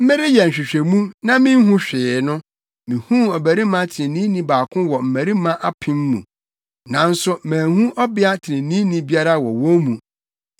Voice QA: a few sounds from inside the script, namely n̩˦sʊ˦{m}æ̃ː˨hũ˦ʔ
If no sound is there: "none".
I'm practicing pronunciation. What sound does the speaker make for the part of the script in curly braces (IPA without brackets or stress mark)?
m